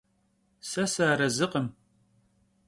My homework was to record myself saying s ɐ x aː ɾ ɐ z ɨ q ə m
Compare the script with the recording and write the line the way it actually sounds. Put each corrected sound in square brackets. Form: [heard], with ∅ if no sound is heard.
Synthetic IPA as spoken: s ɐ [s] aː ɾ ɐ z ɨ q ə m